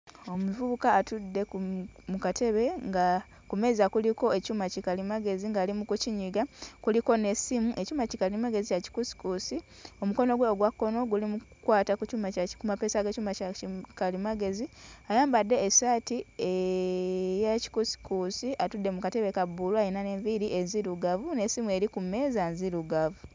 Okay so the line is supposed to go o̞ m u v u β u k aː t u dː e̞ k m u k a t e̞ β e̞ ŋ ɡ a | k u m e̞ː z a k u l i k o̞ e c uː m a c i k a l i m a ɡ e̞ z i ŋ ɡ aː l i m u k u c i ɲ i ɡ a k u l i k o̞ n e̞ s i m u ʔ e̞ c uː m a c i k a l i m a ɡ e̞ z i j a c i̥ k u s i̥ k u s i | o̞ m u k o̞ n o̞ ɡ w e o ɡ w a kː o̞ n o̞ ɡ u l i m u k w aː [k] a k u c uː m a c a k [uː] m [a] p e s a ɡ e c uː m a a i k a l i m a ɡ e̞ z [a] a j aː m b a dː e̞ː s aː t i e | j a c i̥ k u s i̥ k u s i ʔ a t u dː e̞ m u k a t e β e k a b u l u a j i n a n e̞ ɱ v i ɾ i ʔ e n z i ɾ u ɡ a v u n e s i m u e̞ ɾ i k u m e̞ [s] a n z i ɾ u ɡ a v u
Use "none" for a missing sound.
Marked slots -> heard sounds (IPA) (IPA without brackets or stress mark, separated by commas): t, u, a, i, z